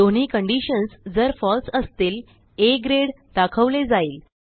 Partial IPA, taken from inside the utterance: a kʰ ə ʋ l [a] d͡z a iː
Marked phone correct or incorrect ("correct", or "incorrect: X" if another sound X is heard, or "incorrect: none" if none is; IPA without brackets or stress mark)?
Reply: incorrect: e